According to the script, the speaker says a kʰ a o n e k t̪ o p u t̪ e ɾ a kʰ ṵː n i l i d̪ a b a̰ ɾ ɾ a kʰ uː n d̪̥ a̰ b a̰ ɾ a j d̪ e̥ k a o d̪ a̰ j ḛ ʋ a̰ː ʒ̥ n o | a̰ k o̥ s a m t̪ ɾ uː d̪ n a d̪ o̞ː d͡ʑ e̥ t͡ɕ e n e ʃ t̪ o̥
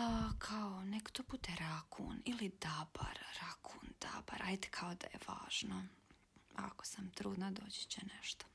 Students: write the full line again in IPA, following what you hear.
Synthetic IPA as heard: a kʰ a o n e k t̪ o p u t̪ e ɾ a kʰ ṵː n i l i d̪ a b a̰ ɾ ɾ a kʰ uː n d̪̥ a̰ b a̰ ɾ a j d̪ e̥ kʰ a o d̪ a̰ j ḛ ʋ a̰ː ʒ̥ n o | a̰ k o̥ s a m t̪ ɾ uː d̪ n a d̪ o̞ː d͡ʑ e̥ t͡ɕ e n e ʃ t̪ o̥